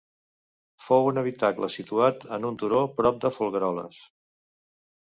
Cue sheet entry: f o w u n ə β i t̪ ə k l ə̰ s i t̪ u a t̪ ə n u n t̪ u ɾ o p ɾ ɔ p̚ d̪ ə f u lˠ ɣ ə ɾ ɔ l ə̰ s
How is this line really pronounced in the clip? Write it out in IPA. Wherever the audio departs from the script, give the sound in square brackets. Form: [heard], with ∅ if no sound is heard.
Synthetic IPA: f o w u n ə β i t̪ [a] k l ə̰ s i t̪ u a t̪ ə n u n t̪ u ɾ o p ɾ ɔ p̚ d̪ ə f u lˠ ɣ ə ɾ ɔ l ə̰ s